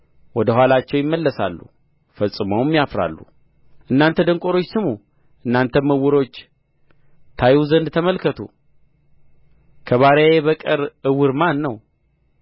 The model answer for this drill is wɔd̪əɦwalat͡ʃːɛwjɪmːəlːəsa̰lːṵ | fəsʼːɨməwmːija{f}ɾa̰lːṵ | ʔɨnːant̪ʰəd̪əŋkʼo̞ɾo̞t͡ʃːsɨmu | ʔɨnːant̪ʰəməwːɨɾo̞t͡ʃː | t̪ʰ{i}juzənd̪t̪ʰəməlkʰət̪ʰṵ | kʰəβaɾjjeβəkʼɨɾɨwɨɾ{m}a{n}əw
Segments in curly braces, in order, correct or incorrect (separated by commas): correct, incorrect, correct, incorrect